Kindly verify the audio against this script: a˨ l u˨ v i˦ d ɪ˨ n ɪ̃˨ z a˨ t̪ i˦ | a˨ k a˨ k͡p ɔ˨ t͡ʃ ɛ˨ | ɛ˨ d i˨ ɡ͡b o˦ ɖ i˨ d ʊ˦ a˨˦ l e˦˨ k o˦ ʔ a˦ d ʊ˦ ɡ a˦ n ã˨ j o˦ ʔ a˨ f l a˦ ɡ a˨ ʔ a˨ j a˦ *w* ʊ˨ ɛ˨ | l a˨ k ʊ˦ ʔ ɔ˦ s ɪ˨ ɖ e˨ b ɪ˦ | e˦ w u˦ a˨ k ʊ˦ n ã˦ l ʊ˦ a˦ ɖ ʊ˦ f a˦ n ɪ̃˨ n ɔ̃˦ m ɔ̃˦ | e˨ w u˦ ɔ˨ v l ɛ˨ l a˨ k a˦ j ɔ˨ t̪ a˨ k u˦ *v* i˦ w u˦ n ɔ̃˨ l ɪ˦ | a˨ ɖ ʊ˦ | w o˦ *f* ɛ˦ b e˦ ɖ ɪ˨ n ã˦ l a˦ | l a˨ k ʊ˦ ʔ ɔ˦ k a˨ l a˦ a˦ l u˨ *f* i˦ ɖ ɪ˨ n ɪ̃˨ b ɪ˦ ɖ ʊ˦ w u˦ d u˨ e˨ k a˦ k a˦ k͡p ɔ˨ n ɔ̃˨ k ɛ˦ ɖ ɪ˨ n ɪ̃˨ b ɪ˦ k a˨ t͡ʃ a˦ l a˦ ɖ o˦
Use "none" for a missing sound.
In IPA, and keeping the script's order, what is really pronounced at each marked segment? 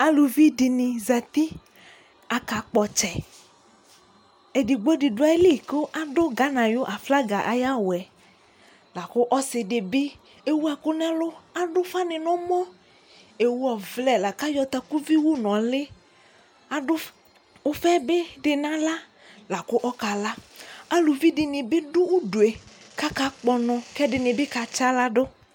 w, v, f, v

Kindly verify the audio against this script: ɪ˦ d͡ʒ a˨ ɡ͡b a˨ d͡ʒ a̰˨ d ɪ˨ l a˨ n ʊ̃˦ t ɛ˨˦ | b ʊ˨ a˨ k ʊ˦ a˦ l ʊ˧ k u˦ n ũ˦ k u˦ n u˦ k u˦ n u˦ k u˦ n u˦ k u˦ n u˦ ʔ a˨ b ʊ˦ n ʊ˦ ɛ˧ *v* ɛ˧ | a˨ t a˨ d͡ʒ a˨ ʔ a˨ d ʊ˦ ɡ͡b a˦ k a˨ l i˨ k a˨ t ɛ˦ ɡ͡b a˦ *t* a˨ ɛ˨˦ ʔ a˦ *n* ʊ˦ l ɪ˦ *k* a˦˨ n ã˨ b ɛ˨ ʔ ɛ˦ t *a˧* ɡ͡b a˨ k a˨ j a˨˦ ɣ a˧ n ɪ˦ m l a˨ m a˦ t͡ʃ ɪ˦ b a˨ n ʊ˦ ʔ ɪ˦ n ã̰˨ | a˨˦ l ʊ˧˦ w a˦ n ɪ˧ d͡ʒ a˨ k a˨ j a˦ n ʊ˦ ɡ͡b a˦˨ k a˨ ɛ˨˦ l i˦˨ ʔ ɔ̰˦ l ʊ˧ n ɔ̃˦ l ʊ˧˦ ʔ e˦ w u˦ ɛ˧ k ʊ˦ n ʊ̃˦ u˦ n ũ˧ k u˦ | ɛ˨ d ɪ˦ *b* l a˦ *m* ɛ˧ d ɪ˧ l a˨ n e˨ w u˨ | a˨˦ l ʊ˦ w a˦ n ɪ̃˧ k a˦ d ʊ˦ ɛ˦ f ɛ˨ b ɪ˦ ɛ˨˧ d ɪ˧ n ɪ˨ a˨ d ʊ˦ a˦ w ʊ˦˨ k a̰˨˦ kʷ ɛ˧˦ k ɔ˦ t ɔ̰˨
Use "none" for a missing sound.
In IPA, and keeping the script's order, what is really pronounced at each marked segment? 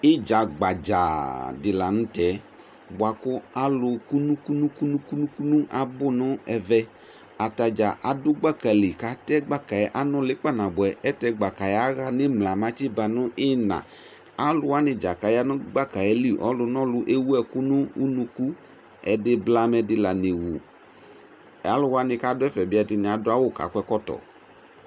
v, k, n, k͡p, ɛ˧, b, m

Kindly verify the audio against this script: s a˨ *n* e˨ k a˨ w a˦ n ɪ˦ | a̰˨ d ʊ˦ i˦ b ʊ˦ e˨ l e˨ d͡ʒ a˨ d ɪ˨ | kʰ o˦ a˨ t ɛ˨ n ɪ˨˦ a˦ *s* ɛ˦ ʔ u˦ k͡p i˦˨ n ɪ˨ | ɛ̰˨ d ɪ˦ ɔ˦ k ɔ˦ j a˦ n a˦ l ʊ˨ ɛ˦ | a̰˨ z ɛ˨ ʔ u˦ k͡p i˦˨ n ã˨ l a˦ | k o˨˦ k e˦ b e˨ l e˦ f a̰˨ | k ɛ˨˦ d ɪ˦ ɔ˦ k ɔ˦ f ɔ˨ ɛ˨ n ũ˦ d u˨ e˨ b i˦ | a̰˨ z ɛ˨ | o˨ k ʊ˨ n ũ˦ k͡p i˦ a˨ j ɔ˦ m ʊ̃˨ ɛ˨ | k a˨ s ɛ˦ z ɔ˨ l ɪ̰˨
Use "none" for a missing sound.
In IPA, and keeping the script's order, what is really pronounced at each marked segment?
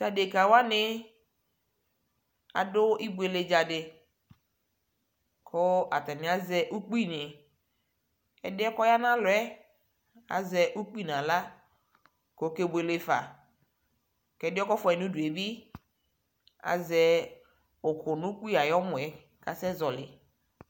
d, z

